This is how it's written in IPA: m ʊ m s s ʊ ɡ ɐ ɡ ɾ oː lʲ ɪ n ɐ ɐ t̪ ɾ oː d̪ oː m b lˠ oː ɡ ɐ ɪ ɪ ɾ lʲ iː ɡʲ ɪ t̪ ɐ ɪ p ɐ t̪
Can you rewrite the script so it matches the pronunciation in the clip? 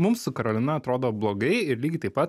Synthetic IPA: m ʊ m s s ʊ k ɐ ɾ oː lʲ ɪ n ɐ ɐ t̪ ɾ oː d̪ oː b lˠ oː ɡ ɐ ɪ ɪ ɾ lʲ iː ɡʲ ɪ t̪ ɐ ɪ p ɐ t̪